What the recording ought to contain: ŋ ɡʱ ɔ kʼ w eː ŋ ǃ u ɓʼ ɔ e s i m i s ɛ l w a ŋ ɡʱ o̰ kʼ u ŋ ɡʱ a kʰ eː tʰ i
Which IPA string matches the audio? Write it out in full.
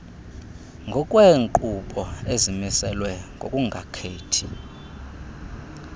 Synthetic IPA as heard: ŋ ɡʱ ɔ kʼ w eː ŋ ǃ u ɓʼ ɔ e z i m i s ɛ l w ɛ ŋ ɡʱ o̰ kʼ u ŋ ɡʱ a kʰ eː tʰ i